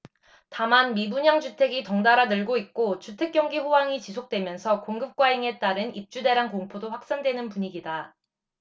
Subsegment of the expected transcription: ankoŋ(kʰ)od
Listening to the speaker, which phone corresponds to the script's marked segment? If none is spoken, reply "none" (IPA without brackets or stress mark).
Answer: pʰ